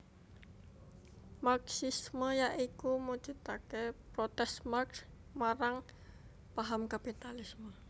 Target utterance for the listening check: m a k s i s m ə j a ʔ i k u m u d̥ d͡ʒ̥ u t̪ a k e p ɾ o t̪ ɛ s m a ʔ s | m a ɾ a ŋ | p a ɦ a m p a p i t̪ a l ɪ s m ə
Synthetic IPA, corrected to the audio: m a k s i s m ə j a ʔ i k u m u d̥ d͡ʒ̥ u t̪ a k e p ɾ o t̪ ɛ s m a k s | m a ɾ a ŋ | p a ɦ a m k a p i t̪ a l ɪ s m ə